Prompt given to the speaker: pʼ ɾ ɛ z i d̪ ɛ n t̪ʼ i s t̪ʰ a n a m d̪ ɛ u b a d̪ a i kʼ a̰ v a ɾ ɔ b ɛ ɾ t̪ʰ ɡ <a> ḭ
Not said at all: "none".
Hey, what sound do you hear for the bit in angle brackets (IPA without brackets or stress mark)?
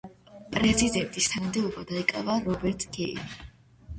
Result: ɛ